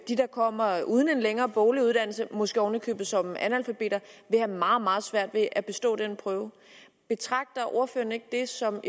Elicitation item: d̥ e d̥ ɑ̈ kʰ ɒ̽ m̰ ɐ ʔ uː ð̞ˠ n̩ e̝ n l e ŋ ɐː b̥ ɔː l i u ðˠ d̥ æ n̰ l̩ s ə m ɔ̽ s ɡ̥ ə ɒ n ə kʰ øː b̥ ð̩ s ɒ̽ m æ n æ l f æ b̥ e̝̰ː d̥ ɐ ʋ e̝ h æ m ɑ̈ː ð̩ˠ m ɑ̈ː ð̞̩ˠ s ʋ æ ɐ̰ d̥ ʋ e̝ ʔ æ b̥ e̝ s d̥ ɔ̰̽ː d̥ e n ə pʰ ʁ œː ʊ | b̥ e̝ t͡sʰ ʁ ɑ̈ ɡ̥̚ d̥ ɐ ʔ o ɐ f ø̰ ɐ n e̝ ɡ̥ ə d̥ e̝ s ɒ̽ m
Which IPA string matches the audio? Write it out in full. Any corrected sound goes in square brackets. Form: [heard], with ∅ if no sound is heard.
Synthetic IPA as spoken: d̥ [i] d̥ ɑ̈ kʰ ɒ̽ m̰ ɐ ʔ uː ð̞ˠ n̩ e̝ n l e ŋ ɐː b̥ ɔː l i u ðˠ d̥ æ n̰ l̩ s ə m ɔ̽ s ɡ̥ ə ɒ n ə kʰ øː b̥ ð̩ s ɒ̽ m æ n æ l f æ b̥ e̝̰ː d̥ ɐ ʋ e̝ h æ m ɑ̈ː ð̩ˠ m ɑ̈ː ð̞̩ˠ s ʋ æ ɐ̰ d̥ ʋ e̝ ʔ æ b̥ e̝ s d̥ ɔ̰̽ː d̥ e n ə pʰ ʁ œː ʊ | b̥ e̝ t͡sʰ ʁ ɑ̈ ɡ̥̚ d̥ ɐ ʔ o ɐ f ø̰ ɐ n e̝ ɡ̥ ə d̥ e̝ s ɒ̽ m